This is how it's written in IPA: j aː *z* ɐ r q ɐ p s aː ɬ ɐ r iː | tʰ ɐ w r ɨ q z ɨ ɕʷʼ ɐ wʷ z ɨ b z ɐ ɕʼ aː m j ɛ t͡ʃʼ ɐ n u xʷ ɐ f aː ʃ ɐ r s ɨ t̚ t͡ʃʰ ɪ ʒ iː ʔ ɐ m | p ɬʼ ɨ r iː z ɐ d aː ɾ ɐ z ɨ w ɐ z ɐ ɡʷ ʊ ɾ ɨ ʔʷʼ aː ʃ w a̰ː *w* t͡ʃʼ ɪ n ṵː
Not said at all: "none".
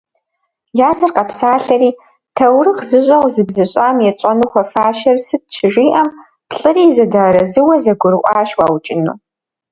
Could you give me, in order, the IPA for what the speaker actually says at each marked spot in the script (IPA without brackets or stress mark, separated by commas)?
z, w